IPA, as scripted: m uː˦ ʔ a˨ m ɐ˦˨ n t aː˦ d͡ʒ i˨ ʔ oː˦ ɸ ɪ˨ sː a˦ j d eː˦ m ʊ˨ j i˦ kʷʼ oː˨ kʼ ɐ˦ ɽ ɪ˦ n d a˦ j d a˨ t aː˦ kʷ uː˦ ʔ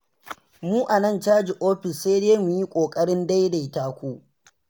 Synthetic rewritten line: m uː˦ ʔ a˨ n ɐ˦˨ n t͡ʃ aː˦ d͡ʒ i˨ ʔ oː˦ ɸ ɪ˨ sː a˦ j d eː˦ m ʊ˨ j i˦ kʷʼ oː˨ kʼ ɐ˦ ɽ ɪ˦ n d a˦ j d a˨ t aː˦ kʷ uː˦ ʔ